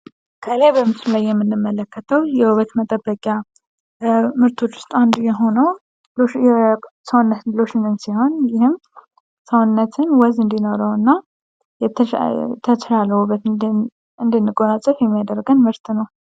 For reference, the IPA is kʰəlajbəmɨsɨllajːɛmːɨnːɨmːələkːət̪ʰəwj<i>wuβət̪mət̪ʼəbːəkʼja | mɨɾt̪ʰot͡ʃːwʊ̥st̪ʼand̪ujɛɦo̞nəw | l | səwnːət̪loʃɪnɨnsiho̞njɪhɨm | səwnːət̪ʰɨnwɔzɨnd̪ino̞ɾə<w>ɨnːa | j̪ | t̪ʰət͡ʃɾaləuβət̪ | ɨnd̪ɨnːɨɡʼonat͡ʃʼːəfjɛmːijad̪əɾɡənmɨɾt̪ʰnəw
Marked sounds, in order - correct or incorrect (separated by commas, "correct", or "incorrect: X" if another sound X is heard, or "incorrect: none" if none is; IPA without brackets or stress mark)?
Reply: incorrect: ɛ, correct